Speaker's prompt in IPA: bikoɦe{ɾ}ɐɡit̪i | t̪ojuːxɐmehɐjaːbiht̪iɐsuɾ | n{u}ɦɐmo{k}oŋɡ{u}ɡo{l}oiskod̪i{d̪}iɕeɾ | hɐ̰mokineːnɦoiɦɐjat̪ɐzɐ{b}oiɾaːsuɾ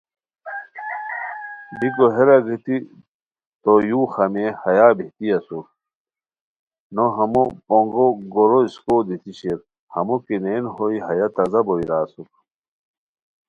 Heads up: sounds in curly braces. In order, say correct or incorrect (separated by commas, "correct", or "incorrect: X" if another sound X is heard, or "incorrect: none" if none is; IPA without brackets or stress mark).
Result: correct, incorrect: o, incorrect: p, incorrect: o, incorrect: ɾ, incorrect: t̪, correct